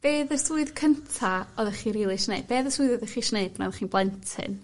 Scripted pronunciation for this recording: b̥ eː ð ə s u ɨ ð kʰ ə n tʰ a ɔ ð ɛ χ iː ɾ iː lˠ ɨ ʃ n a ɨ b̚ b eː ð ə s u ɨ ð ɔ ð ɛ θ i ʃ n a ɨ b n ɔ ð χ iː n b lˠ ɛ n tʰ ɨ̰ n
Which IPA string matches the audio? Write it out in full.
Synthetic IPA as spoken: b̥ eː ð ə s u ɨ ð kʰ ə n tʰ a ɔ ð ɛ χ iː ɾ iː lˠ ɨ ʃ n e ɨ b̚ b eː ð ə s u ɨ ð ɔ ð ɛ χ i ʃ n e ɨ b n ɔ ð χ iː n b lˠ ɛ n tʰ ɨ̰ n